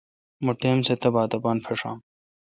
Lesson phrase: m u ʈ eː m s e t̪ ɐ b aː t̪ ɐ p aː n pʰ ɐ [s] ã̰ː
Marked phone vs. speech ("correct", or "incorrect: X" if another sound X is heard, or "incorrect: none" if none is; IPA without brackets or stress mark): incorrect: ʂ